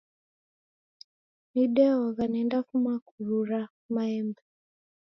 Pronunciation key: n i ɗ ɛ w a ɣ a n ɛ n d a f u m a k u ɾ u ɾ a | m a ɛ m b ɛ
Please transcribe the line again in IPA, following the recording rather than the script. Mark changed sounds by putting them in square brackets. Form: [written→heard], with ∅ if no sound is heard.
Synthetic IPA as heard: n i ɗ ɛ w a ɣ a n ɛ n d a f u m a k u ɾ u ɾ a | m a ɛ m b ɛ

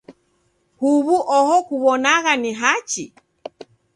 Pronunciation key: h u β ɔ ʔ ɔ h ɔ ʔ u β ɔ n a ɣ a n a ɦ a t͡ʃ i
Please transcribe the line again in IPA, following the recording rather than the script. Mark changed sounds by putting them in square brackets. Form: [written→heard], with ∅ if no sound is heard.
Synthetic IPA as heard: h u β [ɔ→u] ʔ ɔ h ɔ [ʔ→k] u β ɔ n a ɣ a n [a→i] ɦ a t͡ʃ i

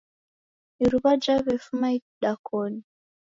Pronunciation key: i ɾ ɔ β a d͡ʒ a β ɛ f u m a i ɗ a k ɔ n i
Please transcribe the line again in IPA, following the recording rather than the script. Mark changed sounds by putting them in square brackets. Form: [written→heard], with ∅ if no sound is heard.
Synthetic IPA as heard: i ɾ [ɔ→u] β a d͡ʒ a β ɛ f u m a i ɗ a k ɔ n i

